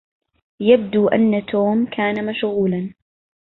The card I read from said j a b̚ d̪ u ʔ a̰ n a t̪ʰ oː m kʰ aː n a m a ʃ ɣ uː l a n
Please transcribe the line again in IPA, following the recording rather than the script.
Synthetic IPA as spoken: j a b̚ d̪ u ʔ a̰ nː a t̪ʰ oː m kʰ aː n a m a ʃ ɣ uː l a n